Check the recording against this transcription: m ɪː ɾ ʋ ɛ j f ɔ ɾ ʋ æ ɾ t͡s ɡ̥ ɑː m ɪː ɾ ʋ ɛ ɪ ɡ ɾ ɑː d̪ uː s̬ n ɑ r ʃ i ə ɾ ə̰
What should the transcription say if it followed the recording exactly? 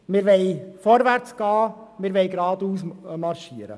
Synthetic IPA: m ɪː ɾ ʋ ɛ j f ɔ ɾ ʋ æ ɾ t͡s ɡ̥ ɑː m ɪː ɾ ʋ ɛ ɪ ɡ ɾ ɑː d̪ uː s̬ m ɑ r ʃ i ə ɾ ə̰